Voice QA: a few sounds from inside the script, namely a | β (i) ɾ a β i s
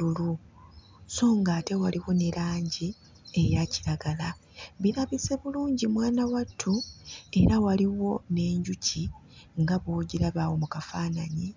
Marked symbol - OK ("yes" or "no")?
yes